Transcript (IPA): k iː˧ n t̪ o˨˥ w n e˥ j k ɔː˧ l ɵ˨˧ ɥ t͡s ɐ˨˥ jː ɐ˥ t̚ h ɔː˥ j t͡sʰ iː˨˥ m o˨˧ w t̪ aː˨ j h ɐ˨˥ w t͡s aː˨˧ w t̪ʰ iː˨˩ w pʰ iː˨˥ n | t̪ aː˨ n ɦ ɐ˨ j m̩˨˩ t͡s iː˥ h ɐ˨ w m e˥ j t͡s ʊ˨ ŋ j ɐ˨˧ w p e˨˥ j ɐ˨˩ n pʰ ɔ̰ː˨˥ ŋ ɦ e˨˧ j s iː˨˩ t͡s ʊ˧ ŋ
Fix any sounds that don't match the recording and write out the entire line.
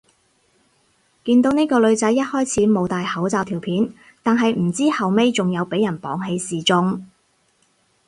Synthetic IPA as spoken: k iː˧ n t̪ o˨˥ w n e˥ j k ɔː˧ l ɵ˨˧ ɥ t͡s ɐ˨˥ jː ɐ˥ t̚ h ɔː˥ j t͡sʰ iː˨˥ m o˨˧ w t̪ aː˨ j h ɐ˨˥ w t͡s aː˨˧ w t̪ʰ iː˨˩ w pʰ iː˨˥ n | t̪ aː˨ n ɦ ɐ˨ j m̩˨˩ t͡s iː˥ h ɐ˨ w m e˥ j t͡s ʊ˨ ŋ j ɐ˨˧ w p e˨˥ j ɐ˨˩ n p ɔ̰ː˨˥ ŋ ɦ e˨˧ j s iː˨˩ t͡s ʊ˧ ŋ